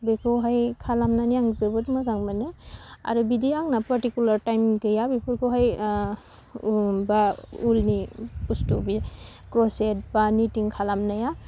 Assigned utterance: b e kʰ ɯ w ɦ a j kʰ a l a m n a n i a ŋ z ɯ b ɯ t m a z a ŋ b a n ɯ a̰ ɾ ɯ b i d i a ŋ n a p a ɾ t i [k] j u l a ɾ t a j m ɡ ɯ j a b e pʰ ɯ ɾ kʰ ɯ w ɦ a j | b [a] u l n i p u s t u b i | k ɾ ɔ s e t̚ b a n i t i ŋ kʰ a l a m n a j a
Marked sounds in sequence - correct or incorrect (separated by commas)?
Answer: correct, correct